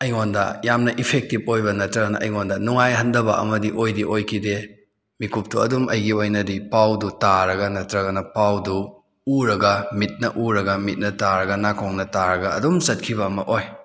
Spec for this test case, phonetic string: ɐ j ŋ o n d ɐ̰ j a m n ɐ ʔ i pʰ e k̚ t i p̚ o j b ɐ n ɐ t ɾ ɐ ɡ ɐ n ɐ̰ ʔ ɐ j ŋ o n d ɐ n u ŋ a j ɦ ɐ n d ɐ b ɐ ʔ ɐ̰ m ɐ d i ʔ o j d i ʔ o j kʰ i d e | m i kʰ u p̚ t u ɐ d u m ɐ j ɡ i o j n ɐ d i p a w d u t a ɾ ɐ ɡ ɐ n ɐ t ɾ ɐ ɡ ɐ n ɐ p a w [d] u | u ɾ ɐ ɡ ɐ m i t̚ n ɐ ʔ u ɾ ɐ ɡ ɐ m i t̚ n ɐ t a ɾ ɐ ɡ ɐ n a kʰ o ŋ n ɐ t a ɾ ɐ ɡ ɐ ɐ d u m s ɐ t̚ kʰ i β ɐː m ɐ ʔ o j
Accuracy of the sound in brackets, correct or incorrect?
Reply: correct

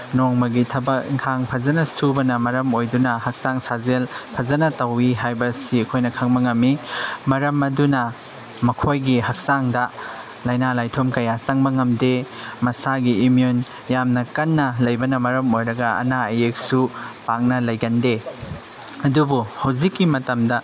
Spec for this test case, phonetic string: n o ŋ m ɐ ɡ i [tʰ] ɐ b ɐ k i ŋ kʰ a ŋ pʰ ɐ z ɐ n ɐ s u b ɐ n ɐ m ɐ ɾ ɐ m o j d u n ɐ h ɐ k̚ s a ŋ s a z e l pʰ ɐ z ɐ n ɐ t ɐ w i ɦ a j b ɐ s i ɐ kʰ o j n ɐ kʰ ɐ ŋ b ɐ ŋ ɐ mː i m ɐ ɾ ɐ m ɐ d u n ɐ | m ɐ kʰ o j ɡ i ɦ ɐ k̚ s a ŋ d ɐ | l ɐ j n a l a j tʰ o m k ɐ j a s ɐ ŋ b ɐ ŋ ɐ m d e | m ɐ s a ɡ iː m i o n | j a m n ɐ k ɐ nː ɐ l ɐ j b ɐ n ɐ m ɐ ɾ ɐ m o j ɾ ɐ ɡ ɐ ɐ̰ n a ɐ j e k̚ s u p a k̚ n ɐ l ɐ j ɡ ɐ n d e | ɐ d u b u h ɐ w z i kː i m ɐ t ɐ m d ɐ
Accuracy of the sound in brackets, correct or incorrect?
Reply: correct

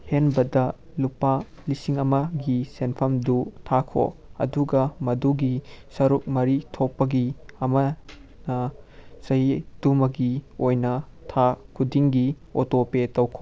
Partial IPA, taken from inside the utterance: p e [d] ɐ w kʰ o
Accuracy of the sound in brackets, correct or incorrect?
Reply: incorrect: t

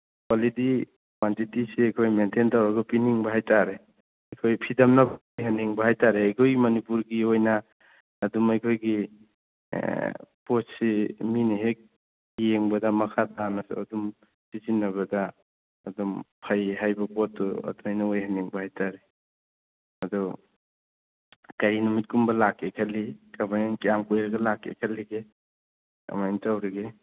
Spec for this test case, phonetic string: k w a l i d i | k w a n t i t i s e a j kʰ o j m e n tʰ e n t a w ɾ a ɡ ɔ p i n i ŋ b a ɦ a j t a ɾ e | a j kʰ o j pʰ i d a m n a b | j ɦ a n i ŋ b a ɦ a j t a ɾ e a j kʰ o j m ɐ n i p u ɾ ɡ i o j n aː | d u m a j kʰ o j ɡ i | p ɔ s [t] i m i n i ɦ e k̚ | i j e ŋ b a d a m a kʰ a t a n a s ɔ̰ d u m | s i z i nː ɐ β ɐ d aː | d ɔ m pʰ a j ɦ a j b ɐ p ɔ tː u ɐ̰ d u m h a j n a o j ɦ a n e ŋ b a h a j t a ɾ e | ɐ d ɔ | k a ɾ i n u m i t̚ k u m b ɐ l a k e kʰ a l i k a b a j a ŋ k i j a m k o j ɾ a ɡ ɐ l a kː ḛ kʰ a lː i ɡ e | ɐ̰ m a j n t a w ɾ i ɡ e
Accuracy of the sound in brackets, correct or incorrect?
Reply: incorrect: s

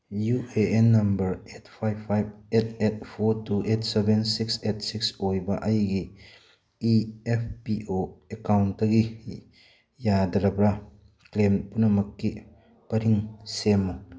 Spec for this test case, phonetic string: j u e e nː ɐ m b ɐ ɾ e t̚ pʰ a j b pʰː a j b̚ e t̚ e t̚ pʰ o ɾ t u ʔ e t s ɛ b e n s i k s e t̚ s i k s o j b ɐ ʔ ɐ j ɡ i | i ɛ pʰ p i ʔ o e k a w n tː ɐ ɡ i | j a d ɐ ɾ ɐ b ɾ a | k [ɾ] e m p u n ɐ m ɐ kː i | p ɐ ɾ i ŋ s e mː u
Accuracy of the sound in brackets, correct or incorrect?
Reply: incorrect: l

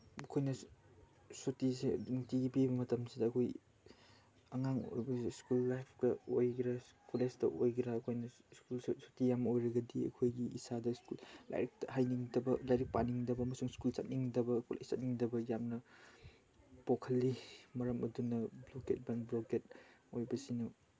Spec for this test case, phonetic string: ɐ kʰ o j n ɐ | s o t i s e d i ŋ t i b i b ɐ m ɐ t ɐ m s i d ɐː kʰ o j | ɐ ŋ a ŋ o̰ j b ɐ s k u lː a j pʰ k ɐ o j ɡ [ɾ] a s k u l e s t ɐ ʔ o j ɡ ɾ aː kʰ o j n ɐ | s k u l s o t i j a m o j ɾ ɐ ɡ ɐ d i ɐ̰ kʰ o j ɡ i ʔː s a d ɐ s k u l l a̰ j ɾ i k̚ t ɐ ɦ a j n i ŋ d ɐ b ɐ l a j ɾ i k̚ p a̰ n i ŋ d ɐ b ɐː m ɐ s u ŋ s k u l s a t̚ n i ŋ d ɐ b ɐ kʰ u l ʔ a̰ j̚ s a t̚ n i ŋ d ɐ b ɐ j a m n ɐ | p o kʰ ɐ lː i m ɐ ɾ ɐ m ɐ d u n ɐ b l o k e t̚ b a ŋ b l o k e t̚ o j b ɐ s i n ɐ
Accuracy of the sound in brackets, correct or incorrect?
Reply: correct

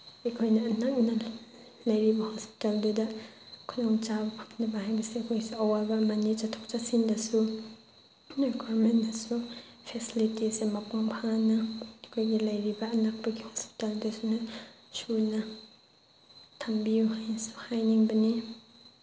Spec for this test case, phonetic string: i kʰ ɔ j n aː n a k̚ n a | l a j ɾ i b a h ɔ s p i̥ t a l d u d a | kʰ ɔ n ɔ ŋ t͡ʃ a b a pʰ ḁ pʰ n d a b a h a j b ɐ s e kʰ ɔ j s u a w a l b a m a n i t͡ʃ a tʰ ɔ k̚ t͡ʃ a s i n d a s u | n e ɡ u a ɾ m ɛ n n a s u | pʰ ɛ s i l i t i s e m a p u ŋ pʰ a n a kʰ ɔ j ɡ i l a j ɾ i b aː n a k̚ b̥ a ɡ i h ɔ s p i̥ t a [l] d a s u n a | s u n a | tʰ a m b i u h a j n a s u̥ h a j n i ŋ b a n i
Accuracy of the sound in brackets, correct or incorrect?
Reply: correct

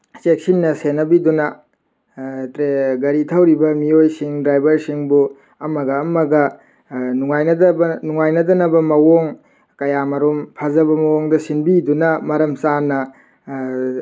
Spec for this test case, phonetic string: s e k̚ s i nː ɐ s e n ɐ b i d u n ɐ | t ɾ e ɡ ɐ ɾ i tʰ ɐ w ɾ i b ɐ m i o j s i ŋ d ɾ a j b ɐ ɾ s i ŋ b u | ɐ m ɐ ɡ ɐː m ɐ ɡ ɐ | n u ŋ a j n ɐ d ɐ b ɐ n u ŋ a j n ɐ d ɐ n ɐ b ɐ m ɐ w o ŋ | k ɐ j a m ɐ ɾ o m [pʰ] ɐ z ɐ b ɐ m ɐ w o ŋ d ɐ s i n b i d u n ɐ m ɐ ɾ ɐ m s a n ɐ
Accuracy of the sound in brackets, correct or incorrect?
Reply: correct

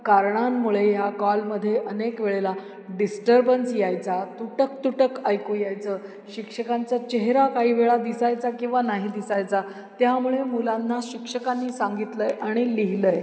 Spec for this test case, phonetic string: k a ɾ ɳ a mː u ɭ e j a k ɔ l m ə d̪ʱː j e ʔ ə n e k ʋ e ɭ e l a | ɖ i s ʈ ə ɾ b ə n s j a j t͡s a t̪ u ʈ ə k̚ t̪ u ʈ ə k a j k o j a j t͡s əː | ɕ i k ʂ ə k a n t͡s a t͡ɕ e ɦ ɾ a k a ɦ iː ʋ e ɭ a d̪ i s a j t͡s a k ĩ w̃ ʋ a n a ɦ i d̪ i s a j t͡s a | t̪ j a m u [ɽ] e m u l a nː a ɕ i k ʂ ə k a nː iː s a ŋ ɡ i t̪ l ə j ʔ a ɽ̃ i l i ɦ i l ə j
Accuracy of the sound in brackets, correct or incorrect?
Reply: incorrect: ɭ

